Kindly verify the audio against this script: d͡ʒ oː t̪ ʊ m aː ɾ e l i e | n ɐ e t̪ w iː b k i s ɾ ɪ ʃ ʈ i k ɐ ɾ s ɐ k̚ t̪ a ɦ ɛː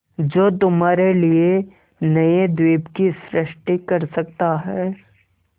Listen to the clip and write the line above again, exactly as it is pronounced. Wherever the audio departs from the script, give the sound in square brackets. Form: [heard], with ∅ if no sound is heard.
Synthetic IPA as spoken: d͡ʒ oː t̪ ʊ m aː ɾ e l i e | n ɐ e [d̪] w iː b k i s ɾ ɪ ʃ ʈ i k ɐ ɾ s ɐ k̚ t̪ a ɦ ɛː